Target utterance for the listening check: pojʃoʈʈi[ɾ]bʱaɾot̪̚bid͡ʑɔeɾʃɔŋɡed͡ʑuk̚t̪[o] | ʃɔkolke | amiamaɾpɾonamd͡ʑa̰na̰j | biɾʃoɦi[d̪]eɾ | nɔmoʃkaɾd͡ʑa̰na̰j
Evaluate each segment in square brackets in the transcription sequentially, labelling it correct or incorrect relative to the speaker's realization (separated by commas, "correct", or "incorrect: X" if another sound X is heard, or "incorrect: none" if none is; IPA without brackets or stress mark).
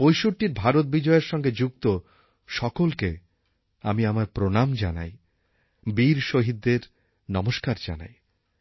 correct, correct, incorrect: d̪ː